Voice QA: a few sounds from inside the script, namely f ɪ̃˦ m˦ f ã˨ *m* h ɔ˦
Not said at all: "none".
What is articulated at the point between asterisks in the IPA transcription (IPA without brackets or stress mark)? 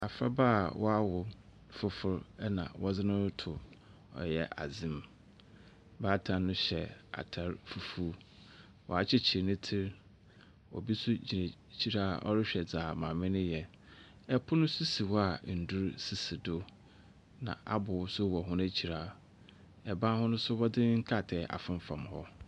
m